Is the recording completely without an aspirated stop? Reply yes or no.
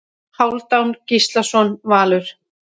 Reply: yes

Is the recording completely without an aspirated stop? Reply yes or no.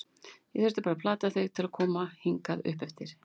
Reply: no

